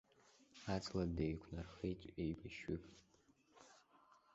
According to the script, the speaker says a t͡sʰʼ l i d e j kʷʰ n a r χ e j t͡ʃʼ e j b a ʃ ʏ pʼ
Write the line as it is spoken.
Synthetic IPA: a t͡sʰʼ l a d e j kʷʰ n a r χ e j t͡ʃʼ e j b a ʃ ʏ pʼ